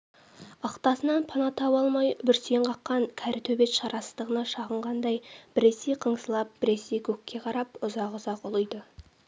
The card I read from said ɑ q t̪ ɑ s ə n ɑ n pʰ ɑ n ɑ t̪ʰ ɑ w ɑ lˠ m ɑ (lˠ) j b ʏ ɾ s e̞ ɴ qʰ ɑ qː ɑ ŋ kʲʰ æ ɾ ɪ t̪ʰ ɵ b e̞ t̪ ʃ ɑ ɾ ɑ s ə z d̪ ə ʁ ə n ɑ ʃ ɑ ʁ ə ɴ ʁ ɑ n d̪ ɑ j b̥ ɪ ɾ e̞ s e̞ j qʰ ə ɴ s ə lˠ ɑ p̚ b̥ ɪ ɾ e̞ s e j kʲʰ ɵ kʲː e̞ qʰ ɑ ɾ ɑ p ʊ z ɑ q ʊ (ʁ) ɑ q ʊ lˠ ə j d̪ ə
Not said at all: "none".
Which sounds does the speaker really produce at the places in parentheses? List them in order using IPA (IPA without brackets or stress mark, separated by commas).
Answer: none, z